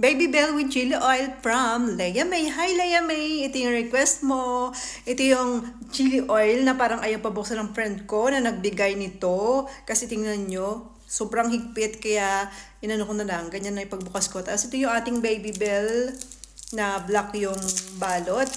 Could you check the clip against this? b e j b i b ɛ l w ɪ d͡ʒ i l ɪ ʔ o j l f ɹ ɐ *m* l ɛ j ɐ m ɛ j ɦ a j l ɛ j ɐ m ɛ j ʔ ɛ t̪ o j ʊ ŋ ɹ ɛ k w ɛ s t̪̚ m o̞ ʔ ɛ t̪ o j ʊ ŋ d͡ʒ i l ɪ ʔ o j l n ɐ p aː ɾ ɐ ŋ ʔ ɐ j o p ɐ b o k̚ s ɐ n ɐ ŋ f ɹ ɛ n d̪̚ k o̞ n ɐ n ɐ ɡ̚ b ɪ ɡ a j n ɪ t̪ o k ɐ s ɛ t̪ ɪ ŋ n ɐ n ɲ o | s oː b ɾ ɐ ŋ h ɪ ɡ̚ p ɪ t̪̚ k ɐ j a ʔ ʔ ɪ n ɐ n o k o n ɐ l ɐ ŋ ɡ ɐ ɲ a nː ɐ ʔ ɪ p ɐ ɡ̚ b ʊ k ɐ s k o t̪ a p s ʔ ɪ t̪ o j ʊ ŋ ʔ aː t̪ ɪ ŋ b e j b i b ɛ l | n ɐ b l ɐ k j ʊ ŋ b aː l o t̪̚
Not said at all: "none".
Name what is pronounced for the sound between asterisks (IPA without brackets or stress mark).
m